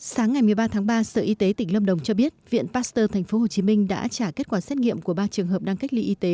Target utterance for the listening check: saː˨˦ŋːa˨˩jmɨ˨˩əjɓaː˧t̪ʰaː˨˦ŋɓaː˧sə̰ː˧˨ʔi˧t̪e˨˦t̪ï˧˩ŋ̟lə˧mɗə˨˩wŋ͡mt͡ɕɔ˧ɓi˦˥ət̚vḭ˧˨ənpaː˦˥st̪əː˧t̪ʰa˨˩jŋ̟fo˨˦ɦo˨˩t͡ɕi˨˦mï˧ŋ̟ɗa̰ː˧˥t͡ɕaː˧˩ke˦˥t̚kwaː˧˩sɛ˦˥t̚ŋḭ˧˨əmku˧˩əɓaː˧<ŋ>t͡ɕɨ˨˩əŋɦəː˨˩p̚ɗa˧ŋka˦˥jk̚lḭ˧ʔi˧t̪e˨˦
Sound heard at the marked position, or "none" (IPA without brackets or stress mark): none